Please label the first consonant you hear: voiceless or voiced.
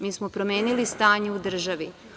voiced